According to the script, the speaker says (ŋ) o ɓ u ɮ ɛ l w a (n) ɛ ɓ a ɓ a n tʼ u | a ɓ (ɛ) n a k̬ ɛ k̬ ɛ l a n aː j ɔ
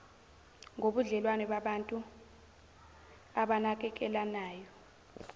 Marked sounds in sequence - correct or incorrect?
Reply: correct, correct, incorrect: a

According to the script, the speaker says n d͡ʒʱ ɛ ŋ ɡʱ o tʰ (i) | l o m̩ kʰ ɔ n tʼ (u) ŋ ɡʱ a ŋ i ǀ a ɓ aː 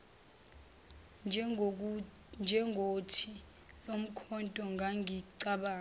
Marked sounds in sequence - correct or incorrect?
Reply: correct, incorrect: ɔ

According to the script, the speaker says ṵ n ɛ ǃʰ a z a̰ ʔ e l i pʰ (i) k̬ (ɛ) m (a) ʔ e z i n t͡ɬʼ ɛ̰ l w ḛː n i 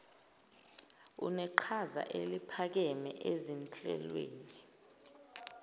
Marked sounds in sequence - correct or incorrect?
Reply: incorrect: a, correct, incorrect: ɛ

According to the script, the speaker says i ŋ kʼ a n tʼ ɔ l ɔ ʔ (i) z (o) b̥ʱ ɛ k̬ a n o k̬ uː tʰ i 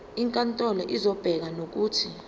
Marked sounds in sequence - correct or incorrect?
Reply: correct, incorrect: ɔ

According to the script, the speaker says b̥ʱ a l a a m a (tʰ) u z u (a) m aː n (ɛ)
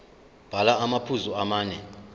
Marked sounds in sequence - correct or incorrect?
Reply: incorrect: pʰ, correct, correct

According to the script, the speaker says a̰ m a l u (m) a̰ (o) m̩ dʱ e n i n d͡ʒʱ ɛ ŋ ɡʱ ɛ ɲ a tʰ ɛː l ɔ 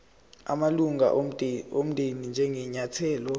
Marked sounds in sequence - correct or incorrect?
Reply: incorrect: ŋ, correct

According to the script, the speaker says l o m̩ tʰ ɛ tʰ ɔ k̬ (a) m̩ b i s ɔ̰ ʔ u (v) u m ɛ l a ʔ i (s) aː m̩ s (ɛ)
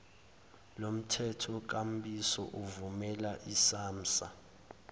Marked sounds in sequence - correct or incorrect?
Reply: correct, correct, correct, incorrect: a

